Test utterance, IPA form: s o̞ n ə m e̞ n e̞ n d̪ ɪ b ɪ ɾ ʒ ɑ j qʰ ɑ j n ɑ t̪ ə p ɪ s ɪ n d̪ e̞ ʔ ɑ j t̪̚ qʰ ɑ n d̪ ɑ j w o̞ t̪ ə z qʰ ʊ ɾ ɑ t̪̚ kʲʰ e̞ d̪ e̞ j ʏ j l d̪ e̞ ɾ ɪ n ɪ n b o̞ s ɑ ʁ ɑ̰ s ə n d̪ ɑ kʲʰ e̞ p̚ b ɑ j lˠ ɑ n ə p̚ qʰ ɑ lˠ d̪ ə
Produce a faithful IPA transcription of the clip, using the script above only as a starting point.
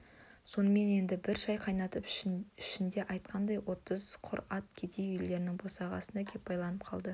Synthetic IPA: s o̞ n ə m e̞ n e̞ n d̪ ɪ b ɪ ɾ ʒ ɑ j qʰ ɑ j n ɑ t̪ ə p ɪ ʃ ɪ n d̪ e̞ ʔ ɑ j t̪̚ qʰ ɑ n d̪ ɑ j w o̞ t̪ ə z qʰ ʊ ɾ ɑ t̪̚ kʲʰ e̞ d̪ e̞ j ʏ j l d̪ e̞ ɾ ɪ n ɪ ŋ b o̞ s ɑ ʁ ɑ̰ s ə n d̪ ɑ kʲʰ e̞ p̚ b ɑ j lˠ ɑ n ə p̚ qʰ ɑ lˠ d̪ ə